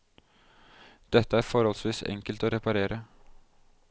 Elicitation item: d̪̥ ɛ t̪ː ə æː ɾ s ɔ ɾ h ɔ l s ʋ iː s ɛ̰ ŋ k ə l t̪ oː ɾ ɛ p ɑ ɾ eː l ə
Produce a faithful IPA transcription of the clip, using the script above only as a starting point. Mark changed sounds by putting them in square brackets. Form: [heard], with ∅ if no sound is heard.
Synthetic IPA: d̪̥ ɛ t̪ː ə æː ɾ [f] ɔ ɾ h ɔ l s ʋ iː s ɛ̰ ŋ k ə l t̪ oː ɾ ɛ p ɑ ɾ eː [ɾ] ə